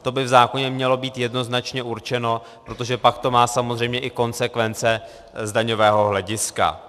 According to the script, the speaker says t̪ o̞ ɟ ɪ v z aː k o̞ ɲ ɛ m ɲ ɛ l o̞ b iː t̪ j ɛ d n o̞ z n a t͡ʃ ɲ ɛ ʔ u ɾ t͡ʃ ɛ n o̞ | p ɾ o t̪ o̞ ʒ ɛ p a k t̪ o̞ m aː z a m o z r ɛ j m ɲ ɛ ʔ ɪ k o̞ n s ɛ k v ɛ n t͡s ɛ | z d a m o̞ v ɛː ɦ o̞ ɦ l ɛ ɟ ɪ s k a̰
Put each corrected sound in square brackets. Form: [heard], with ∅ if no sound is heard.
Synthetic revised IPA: t̪ o̞ [b] ɪ v z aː k o̞ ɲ ɛ m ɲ ɛ l o̞ b iː t̪ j ɛ d n o̞ z n a t͡ʃ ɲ ɛ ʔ u ɾ t͡ʃ ɛ n o̞ | p ɾ o t̪ o̞ ʒ ɛ p a k t̪ o̞ m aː [s] a m o z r ɛ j m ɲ ɛ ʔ ɪ k o̞ n s ɛ k v ɛ n t͡s ɛ | z d a [ɲ] o̞ v ɛː ɦ o̞ ɦ l ɛ ɟ ɪ s k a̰

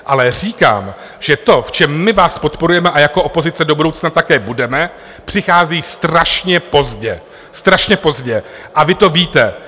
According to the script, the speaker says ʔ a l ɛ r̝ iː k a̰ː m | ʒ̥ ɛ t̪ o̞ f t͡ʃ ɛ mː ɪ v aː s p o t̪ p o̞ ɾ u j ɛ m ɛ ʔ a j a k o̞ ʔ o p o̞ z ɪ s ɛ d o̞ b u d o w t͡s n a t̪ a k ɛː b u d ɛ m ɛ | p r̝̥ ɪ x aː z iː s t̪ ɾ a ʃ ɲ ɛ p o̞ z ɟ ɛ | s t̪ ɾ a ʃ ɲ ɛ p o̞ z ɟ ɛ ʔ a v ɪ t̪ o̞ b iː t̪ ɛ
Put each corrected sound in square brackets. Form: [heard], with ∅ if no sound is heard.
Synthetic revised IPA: ʔ a l ɛ r̝ iː k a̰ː m | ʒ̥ ɛ t̪ o̞ f t͡ʃ ɛ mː ɪ v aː s p o t̪ p o̞ ɾ u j ɛ m ɛ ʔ a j a k o̞ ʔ o p o̞ z ɪ [t͡s] ɛ d o̞ b u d o w t͡s n a t̪ a k ɛː b u d ɛ m ɛ | p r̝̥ ɪ x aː z iː s t̪ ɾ a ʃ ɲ ɛ p o̞ z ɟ ɛ | s t̪ ɾ a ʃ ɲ ɛ p o̞ z ɟ ɛ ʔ a v ɪ t̪ o̞ [v] iː t̪ ɛ

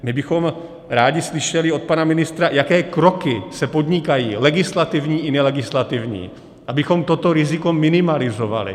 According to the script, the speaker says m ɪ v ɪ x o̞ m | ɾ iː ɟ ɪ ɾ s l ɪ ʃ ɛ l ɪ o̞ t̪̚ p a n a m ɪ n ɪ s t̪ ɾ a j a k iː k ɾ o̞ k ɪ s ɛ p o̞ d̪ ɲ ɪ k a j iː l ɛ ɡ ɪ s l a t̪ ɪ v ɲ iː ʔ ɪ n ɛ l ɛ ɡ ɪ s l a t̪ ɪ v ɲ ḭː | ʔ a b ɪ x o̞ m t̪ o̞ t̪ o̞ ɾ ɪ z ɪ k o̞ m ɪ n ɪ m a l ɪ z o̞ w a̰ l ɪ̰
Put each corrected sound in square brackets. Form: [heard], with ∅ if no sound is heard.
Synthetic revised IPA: m ɪ [b] ɪ x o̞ m | ɾ [aː] ɟ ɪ [∅] s l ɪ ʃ ɛ l ɪ o̞ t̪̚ p a n a m ɪ n ɪ s t̪ ɾ a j a k [ɛː] k ɾ o̞ k ɪ s ɛ p o̞ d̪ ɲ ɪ k a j iː l ɛ ɡ ɪ s l a t̪ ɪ v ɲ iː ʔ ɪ n ɛ l ɛ ɡ ɪ s l a t̪ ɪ v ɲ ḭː | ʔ a b ɪ x o̞ m t̪ o̞ t̪ o̞ ɾ ɪ z ɪ k o̞ m ɪ n ɪ m a l ɪ z o̞ [v] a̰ l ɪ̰

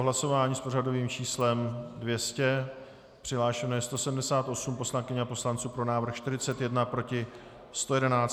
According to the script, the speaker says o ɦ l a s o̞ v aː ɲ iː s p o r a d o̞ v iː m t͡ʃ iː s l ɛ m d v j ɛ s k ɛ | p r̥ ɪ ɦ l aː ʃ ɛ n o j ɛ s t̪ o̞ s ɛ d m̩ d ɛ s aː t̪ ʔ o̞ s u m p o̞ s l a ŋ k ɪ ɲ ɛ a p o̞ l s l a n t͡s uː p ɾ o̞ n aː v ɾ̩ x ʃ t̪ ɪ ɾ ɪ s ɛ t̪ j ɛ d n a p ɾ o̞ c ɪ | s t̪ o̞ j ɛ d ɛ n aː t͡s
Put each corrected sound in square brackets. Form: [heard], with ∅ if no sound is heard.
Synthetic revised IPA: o ɦ l a s o̞ v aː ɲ iː s p o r a d o̞ v iː m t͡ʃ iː s l ɛ m d v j ɛ s [c] ɛ | p r̥ ɪ ɦ l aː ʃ ɛ n o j ɛ s t̪ o̞ s ɛ d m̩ d ɛ s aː t̪ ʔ o̞ s u m p o̞ s l a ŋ k ɪ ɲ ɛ a p o̞ [∅] s l a n t͡s uː p ɾ o̞ n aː v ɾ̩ x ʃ t̪ ɪ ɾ ɪ [t͡s] ɛ t̪ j ɛ d n a p ɾ o̞ c ɪ | s t̪ o̞ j ɛ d ɛ n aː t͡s

